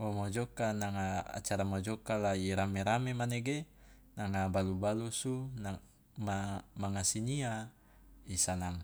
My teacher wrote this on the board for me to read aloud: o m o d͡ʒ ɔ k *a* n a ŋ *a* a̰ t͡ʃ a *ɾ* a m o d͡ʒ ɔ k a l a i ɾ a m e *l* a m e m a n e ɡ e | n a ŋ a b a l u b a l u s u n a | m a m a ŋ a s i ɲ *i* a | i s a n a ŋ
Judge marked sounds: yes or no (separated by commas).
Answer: yes, yes, yes, no, yes